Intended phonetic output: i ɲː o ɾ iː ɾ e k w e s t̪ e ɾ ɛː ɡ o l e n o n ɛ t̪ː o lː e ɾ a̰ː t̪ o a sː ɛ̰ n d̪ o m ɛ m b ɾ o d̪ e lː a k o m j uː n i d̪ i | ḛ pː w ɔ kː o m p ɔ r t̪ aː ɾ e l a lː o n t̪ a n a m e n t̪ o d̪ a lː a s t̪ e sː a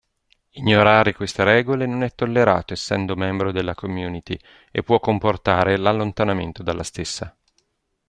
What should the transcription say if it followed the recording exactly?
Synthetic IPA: i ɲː o ɾ aː ɾ e k w e s t̪ e ɾ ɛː ɡ o l e n o n ɛ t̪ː o lː e ɾ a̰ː t̪ o e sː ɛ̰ n d̪ o m ɛ m b ɾ o d̪ e lː a k o m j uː n i t̪ i | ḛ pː w ɔ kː o m p o r t̪ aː ɾ e l a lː o n t̪ a n a m e n t̪ o d̪ a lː a s t̪ e sː a